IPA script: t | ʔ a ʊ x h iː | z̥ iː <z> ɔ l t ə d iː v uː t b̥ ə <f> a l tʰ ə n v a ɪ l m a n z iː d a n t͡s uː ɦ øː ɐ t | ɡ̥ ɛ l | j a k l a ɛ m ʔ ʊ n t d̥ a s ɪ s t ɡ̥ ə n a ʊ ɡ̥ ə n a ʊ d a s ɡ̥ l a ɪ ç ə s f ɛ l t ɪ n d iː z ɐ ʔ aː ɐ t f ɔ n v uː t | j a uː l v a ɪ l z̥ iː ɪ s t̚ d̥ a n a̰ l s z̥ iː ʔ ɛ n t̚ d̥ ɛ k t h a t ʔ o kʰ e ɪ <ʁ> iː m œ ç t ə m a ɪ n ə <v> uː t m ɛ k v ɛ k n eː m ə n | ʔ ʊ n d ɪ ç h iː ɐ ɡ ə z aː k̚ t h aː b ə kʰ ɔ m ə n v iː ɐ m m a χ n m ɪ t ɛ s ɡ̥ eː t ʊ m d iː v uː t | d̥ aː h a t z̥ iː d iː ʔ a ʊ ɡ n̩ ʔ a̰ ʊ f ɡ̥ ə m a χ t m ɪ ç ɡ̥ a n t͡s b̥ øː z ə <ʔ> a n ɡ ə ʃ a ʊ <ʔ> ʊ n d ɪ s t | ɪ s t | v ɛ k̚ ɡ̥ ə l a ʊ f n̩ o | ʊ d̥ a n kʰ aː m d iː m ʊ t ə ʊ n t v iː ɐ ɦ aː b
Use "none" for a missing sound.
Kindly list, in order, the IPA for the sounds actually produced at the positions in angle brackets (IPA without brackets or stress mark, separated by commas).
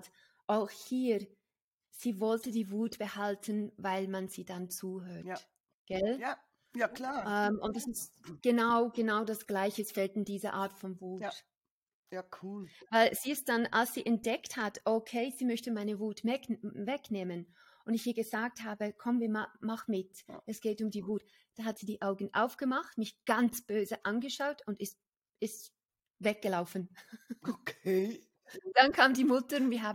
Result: v, h, z, v, ʔ, t